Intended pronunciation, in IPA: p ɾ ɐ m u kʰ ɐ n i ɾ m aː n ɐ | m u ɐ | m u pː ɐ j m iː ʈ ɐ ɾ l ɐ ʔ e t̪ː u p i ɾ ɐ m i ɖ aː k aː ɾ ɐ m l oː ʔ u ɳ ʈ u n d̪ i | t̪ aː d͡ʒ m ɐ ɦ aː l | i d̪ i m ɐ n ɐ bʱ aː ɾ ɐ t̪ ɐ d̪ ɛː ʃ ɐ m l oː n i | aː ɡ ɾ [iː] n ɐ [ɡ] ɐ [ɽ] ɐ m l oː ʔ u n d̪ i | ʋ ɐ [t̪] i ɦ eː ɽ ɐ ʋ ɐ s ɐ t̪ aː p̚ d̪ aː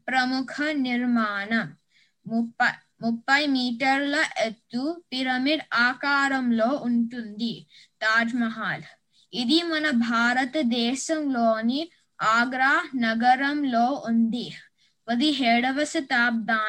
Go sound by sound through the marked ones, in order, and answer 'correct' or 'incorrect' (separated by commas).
incorrect, correct, incorrect, incorrect